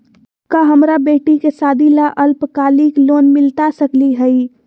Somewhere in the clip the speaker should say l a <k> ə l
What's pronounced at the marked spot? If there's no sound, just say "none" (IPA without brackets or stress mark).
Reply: ʔ